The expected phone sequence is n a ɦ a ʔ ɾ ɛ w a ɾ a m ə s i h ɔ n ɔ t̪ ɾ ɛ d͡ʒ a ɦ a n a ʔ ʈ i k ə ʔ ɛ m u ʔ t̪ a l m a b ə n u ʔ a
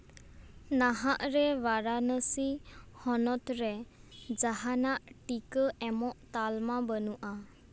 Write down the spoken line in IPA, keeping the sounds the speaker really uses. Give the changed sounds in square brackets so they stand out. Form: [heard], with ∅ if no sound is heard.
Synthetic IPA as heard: n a ɦ a ʔ ɾ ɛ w a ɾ a [n] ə s i h ɔ n ɔ t̪ ɾ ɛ d͡ʒ a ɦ a n a ʔ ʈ i k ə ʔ ɛ m [ɔ] ʔ t̪ a l m a b ə n u ʔ a